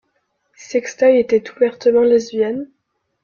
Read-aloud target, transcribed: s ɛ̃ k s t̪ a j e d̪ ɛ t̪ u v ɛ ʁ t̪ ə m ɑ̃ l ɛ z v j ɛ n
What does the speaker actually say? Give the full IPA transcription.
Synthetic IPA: s ɛ k s t̪ a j e t̪ ɛ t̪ u v ɛ ʁ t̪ ə m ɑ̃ l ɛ z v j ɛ n